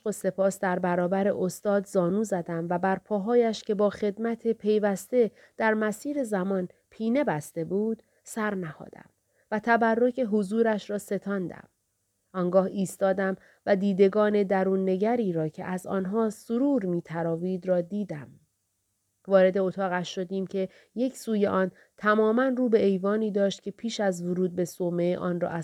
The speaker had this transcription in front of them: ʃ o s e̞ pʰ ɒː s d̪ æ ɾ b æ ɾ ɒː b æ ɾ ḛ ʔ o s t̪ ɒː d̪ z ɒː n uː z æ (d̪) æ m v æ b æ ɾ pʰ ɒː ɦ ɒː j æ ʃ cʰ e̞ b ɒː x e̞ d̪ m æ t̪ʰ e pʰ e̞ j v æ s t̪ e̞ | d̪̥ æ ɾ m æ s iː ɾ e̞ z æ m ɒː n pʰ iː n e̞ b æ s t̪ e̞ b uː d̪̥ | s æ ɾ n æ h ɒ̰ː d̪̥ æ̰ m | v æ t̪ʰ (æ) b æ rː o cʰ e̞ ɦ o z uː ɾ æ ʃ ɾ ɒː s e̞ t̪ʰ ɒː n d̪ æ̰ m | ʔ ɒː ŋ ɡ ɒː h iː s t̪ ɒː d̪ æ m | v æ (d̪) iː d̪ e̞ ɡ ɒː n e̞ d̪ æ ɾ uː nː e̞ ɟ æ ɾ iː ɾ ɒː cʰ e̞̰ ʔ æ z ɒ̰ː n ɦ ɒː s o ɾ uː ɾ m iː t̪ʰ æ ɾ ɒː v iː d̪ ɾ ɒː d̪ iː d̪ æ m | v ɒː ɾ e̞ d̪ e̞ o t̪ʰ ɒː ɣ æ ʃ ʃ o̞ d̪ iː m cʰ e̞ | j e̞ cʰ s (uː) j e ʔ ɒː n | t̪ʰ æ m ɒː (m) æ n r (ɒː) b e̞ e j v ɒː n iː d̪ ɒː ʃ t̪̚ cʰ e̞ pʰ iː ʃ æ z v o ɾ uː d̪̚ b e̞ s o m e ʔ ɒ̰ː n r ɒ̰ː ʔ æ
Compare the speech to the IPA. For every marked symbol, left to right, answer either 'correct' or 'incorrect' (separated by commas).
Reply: correct, correct, correct, correct, correct, incorrect